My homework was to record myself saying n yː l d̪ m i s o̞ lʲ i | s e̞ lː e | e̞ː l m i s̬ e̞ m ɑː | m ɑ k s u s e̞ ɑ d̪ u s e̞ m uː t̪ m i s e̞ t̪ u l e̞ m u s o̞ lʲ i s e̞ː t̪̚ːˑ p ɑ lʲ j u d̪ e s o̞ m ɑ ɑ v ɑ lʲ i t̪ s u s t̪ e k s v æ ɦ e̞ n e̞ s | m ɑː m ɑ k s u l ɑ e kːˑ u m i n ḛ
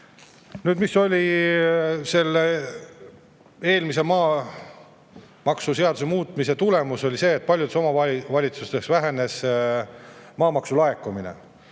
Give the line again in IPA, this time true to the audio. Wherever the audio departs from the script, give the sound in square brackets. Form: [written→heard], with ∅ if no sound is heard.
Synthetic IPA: n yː [l→∅] d̪ m i s o̞ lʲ i | s e̞ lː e | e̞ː l m i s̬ e̞ m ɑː | m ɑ k s u s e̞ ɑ d̪ u s e̞ m uː t̪ m i s e̞ t̪ u l e̞ m u s o̞ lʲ i s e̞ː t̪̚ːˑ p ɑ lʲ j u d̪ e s o̞ m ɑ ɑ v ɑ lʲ i t̪ s u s t̪ e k s v æ ɦ e̞ n e̞ s | m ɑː m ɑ k s u l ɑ e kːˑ u m i n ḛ